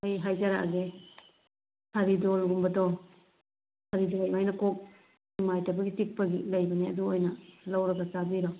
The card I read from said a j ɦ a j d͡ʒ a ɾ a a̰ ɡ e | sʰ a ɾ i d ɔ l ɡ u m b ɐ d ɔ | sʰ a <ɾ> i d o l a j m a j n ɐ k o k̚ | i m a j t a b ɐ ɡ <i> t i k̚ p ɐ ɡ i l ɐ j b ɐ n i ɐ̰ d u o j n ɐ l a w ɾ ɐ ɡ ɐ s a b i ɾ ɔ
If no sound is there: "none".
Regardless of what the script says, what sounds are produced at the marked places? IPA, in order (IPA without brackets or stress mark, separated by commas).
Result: ɾ, i